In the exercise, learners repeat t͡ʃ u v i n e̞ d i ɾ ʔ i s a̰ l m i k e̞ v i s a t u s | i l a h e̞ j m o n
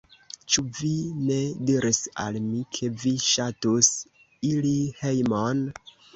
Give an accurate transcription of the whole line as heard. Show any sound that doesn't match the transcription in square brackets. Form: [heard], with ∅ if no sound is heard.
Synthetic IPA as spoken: t͡ʃ u v i n e̞ d i ɾ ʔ i s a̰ l m i [kʰ] e̞ v i [ʃ] a t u s | i l [i] h e̞ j m o n